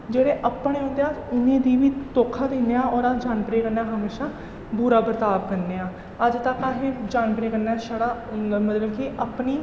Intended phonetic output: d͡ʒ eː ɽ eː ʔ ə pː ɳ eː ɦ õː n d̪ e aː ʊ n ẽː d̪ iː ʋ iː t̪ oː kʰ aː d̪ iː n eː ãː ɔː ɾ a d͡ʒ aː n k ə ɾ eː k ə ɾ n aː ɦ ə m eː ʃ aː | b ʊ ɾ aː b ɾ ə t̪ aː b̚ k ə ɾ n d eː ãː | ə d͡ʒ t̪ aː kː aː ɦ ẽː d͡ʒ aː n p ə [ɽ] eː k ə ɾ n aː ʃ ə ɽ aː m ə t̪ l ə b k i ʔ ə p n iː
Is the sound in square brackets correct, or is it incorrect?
incorrect